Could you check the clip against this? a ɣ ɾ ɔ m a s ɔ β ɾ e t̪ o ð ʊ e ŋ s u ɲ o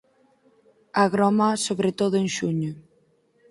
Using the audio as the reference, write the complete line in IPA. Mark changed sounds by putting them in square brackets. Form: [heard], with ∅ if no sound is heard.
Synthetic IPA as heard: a ɣ ɾ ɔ m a s [o] β ɾ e t̪ o ð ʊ e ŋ [ʃ] u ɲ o